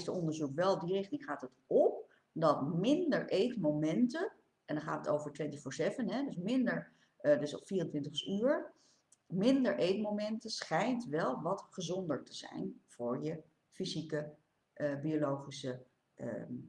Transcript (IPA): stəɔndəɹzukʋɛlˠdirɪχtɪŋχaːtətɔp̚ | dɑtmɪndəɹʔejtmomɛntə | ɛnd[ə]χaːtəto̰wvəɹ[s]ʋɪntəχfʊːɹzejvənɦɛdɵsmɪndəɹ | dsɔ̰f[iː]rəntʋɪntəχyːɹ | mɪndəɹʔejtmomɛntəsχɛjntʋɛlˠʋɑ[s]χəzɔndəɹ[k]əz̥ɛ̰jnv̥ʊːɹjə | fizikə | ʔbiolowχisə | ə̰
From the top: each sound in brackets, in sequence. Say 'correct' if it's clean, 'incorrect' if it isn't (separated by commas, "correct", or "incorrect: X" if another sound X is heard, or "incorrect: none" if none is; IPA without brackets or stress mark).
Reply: incorrect: ɑ, incorrect: t, correct, incorrect: t, incorrect: t